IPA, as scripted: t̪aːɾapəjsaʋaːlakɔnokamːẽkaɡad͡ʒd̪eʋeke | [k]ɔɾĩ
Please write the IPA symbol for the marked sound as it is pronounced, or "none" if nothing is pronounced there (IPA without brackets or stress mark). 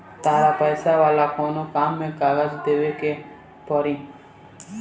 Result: p